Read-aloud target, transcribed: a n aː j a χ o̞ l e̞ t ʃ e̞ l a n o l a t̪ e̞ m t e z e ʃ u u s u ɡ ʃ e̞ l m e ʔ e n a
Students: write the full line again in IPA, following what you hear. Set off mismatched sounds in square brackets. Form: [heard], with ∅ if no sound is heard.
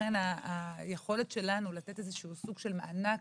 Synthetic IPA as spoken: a n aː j [e] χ o̞ l e̞ t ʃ e̞ l a n [u] l a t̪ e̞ [∅] t e z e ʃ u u s u ɡ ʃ e̞ l m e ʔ [a] n a